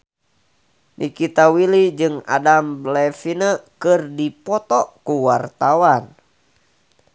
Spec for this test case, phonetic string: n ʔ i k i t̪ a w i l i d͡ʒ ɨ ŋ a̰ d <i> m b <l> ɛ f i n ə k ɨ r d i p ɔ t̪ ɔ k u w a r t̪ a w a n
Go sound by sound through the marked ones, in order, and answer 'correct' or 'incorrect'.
incorrect: a, correct

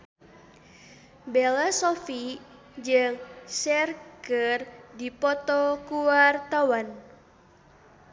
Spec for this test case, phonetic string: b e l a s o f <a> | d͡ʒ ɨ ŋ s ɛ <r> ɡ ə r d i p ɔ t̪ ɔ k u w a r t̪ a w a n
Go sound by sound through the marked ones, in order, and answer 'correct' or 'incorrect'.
incorrect: i, correct

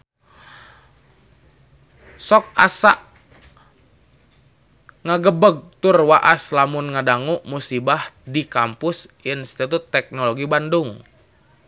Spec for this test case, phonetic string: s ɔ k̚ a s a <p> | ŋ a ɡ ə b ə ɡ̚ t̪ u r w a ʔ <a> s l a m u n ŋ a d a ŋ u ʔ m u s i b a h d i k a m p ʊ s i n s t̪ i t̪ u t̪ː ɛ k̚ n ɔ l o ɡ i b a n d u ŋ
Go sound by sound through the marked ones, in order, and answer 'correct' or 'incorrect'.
incorrect: ʔ, correct

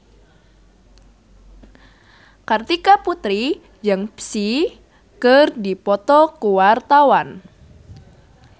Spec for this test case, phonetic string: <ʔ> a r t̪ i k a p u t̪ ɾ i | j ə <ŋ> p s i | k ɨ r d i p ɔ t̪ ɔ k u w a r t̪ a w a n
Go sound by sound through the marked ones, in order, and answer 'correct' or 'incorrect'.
incorrect: k, correct

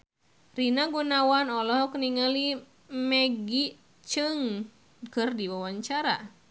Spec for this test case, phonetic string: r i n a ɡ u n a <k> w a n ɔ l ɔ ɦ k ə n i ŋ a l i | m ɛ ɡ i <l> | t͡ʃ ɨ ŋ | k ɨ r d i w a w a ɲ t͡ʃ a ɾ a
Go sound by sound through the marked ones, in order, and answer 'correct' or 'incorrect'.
incorrect: none, incorrect: none

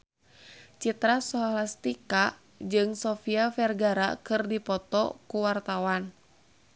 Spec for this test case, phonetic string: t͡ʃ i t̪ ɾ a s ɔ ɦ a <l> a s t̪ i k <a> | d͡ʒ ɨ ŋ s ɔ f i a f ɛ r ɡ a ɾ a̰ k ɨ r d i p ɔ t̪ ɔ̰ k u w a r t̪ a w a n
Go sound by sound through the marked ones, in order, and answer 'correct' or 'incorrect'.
correct, correct

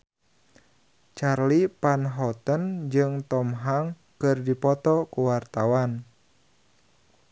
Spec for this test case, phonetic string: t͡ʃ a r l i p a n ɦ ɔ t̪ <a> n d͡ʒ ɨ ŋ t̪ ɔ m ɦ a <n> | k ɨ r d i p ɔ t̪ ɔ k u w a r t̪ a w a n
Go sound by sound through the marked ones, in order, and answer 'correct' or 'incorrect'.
incorrect: ə, incorrect: ŋ

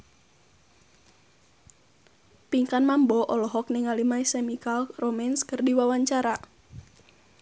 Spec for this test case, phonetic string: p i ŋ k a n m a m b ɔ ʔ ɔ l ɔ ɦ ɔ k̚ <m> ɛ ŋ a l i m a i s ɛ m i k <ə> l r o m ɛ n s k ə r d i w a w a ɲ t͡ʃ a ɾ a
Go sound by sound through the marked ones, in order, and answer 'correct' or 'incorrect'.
incorrect: n, incorrect: a

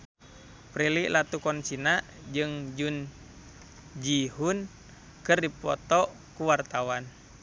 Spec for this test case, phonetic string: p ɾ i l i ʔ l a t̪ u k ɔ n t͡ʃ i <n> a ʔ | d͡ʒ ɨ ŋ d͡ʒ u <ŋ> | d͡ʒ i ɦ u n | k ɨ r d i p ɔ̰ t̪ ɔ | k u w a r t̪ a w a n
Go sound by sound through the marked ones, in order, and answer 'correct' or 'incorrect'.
correct, incorrect: n

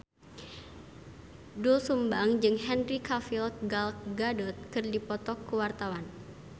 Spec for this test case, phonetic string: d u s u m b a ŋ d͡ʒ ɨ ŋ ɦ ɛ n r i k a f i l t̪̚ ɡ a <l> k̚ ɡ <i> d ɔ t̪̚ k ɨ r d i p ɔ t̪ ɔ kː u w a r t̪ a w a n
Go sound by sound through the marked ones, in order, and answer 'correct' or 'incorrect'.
correct, incorrect: a

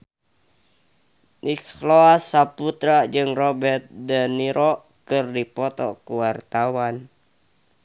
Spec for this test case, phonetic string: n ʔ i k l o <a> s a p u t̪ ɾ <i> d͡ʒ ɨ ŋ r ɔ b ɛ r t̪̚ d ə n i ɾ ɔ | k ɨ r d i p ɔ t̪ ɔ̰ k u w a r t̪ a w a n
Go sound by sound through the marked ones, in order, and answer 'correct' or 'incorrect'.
correct, incorrect: a

